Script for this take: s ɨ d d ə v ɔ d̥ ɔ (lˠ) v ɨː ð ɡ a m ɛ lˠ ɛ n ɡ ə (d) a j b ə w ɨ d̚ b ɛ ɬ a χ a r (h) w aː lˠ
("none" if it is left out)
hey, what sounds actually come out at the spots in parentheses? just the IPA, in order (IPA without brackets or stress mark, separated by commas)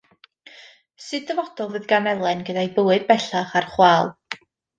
lˠ, d, χ